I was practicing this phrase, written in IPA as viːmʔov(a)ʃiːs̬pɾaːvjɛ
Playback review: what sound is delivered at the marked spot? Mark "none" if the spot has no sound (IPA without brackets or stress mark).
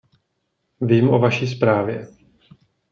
a